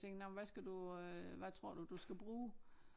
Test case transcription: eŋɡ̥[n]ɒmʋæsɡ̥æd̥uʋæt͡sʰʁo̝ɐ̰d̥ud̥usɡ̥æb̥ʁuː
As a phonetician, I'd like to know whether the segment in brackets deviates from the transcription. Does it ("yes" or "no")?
no